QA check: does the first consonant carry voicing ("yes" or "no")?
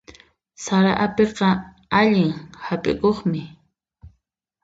no